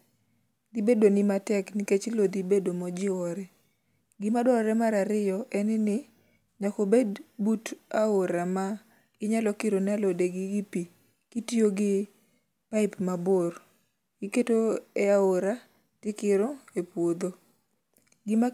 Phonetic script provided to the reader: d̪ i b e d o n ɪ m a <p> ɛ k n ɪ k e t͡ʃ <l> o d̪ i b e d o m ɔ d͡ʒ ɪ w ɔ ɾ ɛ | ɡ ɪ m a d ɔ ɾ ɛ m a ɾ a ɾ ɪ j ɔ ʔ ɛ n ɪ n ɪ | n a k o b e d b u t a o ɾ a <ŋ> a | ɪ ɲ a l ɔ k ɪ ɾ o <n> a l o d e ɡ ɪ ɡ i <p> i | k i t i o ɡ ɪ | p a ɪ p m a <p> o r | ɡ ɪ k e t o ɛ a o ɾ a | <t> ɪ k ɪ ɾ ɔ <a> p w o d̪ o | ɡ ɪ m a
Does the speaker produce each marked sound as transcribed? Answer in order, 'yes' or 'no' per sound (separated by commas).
no, yes, no, yes, yes, no, yes, no